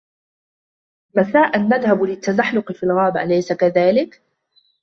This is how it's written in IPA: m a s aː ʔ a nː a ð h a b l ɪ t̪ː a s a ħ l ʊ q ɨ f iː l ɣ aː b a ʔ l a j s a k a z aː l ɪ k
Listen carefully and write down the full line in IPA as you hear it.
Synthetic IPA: m a s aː ʔ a nː a ð h a b l ɪ t̪ː a z a ħ l ʊ q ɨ f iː l ɣ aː b a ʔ l a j s a k a ð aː l ɪ k